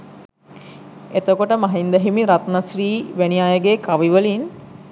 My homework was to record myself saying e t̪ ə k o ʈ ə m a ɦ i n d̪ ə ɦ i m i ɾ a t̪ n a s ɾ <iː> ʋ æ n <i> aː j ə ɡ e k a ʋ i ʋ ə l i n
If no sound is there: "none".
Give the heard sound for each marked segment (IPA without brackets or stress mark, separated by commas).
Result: iː, i